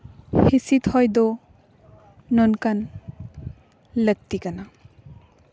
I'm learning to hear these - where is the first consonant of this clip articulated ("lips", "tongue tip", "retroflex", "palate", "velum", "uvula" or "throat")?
throat